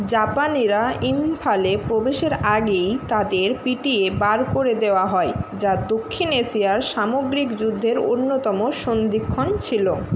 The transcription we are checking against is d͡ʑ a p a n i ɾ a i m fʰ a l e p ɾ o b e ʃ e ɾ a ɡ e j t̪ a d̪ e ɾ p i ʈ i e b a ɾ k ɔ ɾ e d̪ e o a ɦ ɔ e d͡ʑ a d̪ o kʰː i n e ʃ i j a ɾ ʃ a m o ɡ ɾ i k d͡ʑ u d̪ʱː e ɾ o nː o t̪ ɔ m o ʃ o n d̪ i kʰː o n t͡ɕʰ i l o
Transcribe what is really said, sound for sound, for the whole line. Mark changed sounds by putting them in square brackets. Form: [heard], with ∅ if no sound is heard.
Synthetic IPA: d͡ʑ a p a n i ɾ a i m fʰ a l e p ɾ o b e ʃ e ɾ a ɡ e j t̪ a d̪ e ɾ p i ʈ i e b a ɾ k [o] ɾ e d̪ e o a ɦ ɔ e d͡ʑ a d̪ o kʰː i n e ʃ i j a ɾ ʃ a m o ɡ ɾ i k d͡ʑ u d̪ʱː e ɾ o nː o t̪ ɔ m o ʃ o n d̪ i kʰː o n t͡ɕʰ i l o